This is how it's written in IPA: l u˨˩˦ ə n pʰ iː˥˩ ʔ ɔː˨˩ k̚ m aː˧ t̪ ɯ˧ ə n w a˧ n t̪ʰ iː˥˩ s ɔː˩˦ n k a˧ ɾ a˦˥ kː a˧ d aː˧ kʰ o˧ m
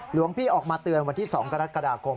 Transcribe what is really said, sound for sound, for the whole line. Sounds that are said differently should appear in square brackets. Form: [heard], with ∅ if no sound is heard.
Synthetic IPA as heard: l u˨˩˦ ə [ŋ] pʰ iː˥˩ ʔ ɔː˨˩ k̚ m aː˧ t̪ ɯ˧ ə n w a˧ n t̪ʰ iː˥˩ s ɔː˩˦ [ŋ] k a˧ ɾ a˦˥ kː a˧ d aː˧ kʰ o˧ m